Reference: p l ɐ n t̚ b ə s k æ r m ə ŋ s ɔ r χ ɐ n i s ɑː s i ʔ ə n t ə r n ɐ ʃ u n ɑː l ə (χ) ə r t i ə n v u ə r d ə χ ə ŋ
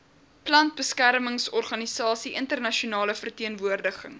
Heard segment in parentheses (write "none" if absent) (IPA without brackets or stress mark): f